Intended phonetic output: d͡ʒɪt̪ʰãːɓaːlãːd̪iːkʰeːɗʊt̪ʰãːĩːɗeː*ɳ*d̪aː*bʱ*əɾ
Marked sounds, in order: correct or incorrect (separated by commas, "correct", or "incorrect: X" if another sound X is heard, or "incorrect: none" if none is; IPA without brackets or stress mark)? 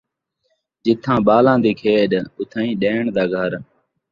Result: correct, incorrect: ɡʱ